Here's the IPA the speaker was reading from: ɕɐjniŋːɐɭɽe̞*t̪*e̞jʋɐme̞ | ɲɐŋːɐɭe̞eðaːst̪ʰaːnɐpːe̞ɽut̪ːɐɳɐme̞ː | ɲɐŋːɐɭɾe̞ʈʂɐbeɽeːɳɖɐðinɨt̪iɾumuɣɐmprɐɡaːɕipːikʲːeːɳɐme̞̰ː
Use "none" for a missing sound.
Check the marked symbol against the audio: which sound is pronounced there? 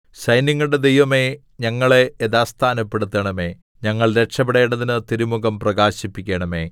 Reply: d̪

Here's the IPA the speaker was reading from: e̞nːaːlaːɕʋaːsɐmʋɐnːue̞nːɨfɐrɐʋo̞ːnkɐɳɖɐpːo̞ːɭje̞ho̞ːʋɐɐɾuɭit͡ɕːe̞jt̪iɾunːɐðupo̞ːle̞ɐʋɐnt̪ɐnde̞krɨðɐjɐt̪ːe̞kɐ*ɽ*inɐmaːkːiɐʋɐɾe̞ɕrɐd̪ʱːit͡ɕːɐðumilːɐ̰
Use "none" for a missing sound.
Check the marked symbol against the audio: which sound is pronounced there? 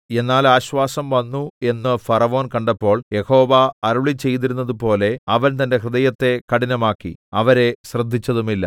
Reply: ɽ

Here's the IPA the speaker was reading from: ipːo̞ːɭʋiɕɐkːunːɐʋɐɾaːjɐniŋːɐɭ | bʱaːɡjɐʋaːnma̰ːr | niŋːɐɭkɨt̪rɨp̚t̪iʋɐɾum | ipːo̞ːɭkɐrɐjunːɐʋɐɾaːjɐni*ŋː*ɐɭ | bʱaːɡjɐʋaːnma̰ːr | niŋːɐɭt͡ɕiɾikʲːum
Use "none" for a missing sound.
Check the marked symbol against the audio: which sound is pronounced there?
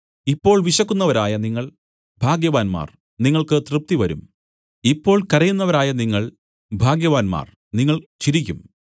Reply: ŋː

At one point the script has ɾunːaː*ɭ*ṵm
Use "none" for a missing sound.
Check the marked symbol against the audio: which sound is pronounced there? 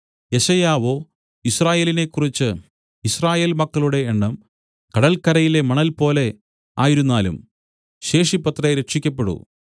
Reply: l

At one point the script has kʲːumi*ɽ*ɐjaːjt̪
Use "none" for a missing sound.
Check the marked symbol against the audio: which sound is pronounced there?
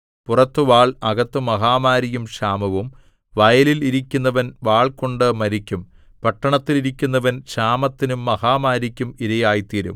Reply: ɾ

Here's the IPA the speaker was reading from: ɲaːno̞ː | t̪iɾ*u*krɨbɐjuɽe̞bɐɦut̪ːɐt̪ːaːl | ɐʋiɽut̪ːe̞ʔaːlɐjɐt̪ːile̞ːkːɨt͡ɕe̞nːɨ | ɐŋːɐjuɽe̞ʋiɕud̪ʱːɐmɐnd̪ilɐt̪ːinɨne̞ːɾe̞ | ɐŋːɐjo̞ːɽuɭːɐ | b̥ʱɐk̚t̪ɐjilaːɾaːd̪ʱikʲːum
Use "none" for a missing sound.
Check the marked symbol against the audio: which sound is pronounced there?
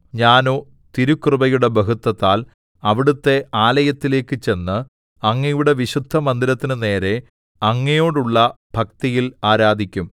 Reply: u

